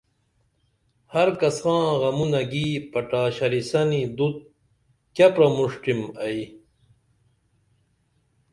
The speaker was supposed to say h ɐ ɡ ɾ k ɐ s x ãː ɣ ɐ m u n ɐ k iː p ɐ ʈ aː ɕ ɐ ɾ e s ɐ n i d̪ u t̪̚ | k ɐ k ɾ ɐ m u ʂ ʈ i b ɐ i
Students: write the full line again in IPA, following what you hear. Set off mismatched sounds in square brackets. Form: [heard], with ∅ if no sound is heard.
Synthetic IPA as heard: h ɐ [∅] ɾ k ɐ s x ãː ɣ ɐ m u n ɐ [ɡ] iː p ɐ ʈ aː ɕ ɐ ɾ [i] s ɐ n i d̪ u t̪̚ | k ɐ [p] ɾ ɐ m u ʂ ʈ i [m] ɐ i